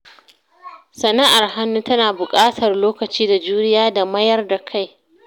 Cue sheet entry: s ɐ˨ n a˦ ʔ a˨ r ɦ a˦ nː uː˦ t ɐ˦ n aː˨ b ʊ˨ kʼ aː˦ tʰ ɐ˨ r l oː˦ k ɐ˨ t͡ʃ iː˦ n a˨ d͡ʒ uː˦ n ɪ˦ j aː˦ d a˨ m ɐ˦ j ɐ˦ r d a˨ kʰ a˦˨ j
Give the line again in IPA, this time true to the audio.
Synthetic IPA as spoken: s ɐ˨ n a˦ ʔ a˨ r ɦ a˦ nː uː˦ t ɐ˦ n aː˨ b ʊ˨ kʼ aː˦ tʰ ɐ˨ r l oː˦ k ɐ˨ t͡ʃ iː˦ d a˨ d͡ʒ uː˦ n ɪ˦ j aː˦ d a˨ m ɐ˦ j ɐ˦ r d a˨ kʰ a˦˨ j